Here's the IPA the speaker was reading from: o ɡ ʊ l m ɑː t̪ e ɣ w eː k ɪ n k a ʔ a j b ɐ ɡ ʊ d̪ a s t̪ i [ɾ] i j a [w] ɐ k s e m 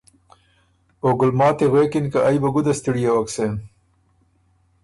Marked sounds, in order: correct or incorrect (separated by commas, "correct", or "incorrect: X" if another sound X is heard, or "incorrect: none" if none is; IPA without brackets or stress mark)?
incorrect: ɽ, correct